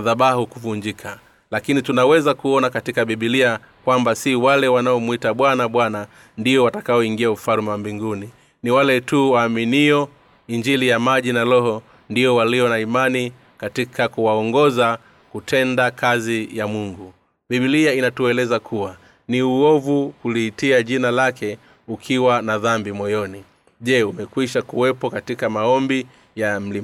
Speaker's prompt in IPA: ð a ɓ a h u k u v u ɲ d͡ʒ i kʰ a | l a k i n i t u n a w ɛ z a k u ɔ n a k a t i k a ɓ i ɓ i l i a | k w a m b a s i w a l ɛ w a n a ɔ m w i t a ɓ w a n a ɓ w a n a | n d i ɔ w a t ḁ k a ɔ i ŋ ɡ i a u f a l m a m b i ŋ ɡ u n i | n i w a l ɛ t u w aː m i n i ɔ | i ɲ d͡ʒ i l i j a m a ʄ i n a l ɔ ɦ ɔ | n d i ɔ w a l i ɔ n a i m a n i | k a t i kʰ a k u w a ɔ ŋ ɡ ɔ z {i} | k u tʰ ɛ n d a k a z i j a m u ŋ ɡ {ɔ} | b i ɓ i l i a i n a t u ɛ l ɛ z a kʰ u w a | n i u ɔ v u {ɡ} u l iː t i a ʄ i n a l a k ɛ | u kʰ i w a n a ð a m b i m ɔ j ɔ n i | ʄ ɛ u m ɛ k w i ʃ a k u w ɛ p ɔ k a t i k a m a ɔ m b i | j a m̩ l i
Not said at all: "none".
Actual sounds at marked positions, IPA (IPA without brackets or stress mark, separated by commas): a, u, k